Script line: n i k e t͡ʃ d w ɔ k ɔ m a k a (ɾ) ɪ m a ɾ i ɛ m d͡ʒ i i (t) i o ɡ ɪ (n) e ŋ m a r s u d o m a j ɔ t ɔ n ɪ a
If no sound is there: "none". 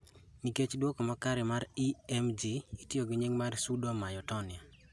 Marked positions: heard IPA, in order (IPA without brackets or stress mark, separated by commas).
ɾ, t, ɲ